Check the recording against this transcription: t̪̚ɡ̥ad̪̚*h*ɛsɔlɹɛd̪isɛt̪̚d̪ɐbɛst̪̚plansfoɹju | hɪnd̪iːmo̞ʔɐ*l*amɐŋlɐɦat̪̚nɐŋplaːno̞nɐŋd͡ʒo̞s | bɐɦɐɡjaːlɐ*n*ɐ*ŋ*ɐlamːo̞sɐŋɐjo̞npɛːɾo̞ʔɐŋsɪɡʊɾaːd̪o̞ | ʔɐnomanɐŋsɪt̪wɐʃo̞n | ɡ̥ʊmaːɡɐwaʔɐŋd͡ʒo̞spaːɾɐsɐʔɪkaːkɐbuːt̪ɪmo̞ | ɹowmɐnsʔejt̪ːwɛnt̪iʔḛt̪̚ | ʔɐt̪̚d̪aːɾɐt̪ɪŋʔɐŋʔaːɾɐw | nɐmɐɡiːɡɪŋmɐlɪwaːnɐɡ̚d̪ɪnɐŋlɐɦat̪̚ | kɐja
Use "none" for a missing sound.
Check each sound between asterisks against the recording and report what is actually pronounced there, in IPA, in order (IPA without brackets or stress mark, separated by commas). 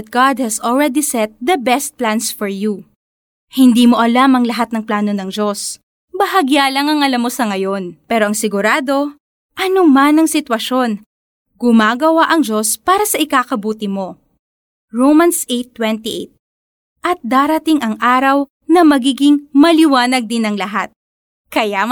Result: h, l, ŋ, ŋ